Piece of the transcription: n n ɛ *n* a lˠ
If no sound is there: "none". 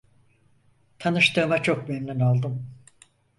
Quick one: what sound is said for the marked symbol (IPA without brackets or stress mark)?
n